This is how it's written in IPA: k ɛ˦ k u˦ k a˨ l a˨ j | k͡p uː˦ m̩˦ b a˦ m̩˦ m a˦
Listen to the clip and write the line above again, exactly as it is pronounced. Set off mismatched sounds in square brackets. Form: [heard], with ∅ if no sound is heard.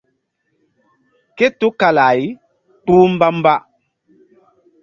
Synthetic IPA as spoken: k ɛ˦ [t] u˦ k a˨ l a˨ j | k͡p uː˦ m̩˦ b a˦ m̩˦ [b] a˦